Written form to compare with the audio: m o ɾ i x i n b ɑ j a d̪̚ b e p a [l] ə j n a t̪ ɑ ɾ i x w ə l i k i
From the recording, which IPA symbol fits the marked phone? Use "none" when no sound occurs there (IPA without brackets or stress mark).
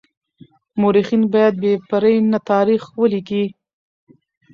ɾ